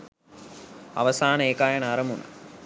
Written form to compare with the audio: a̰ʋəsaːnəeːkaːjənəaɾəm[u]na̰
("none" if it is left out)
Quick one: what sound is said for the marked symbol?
u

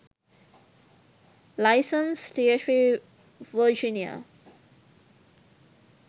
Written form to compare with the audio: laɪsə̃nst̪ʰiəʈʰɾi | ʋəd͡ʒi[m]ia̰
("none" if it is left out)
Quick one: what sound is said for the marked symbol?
n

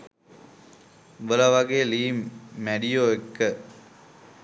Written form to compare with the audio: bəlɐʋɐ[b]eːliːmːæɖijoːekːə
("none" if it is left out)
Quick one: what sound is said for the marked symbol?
ɡ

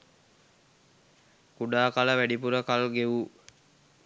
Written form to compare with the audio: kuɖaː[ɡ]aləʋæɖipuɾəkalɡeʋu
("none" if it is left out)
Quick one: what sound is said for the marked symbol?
k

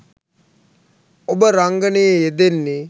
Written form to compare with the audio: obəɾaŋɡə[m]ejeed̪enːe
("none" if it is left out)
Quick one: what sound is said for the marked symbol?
n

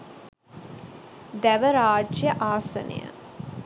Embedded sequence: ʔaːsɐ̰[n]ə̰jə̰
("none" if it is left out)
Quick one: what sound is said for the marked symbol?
n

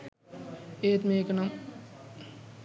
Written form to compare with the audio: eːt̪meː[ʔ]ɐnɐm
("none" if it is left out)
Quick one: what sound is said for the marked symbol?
k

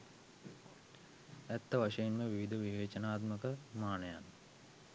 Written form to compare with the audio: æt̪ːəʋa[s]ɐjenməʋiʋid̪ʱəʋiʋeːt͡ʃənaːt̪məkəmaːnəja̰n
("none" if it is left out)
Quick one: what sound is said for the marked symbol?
ʂ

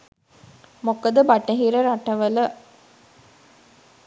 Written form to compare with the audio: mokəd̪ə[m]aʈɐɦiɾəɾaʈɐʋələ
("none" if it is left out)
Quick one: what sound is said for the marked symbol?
b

